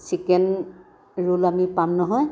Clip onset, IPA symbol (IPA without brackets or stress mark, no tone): s